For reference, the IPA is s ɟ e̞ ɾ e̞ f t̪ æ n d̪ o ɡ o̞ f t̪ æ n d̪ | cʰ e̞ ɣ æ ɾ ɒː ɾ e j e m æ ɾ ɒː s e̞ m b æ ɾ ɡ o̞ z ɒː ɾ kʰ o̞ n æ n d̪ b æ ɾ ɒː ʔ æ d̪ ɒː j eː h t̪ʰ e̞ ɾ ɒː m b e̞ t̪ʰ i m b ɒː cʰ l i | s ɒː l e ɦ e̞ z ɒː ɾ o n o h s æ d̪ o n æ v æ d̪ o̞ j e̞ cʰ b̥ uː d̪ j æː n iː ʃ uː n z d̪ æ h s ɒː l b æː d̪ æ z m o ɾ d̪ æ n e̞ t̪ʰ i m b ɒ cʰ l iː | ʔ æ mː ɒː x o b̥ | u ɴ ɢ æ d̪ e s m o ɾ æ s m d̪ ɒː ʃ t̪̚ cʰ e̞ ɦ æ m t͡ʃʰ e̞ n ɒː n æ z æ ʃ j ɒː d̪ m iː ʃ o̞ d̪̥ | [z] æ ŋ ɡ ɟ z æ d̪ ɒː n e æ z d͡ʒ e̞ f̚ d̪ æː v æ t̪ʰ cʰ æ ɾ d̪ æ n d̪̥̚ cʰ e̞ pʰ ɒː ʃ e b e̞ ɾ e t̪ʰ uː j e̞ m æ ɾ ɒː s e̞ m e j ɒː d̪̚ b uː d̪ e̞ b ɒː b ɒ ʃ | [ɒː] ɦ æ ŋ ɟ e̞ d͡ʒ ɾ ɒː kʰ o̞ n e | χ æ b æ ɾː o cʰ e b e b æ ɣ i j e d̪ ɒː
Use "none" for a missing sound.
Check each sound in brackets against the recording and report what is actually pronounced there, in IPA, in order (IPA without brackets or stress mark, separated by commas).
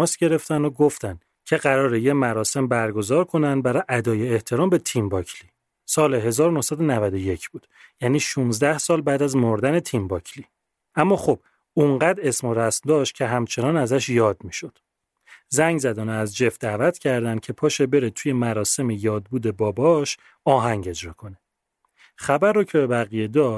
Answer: z, ɒː